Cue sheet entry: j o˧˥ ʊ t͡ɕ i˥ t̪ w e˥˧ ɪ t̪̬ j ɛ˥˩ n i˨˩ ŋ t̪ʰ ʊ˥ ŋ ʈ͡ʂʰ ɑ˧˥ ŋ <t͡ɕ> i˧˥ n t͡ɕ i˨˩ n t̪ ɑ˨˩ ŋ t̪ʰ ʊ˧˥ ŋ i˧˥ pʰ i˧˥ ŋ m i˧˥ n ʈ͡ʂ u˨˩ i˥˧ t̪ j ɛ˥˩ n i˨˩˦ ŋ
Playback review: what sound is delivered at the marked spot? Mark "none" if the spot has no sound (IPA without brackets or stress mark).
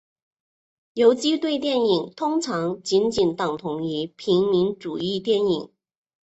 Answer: t͡ɕ